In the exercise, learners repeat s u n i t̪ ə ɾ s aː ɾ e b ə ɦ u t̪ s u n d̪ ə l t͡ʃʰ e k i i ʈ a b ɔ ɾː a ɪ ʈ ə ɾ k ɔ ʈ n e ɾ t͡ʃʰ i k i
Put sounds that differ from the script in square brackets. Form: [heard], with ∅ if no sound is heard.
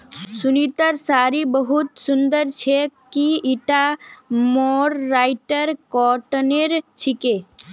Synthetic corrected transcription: s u n i t̪ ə ɾ s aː ɾ [i] b ə ɦ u t̪ s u n d̪ ə [ɾ] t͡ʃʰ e k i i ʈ a [m] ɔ ɾː a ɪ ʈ ə ɾ k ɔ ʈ n e ɾ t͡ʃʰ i k [e]